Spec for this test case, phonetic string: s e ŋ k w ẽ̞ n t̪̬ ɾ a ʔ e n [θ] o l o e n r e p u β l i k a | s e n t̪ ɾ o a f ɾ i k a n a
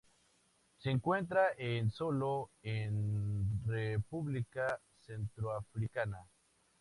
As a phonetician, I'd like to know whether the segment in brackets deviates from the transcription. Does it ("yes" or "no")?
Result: yes